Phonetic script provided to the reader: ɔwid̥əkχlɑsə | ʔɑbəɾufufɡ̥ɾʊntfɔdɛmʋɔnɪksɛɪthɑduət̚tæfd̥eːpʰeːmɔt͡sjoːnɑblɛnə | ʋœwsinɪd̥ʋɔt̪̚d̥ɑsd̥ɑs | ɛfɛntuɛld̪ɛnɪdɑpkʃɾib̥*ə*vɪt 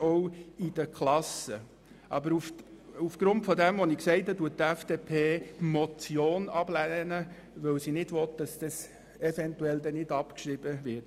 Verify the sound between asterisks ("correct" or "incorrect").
correct